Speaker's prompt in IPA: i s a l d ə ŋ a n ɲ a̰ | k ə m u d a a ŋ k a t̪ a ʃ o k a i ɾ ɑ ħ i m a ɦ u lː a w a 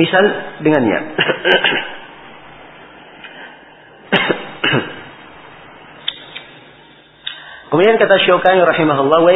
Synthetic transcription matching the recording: i s a l d ə ŋ a n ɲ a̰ | k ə m u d i a n k a t̪ a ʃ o k a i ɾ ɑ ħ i m a ɦ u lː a w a